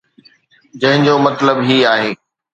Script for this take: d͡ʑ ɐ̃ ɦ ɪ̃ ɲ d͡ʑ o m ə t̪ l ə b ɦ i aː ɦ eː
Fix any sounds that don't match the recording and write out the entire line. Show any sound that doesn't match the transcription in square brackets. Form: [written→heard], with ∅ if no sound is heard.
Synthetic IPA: d͡ʑ ɐ̃ ɦ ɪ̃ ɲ d͡ʑ o m [ə→ɐ] t̪ l ə b ɦ i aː ɦ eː